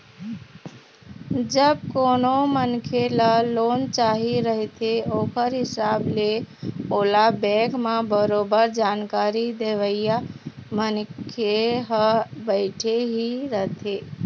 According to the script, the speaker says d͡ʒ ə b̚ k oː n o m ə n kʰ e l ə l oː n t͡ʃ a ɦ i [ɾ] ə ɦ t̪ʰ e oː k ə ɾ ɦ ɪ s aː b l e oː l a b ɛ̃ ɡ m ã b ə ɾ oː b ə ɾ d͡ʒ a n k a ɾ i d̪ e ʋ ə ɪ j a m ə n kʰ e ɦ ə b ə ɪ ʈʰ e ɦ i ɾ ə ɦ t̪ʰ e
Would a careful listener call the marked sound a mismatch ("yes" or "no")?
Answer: no